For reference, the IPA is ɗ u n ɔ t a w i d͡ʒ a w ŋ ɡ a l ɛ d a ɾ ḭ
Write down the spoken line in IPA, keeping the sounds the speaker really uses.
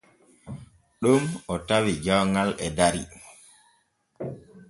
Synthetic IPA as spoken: ɗ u m ɔ t a w i d͡ʒ a w ŋ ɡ a l ɛ d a ɾ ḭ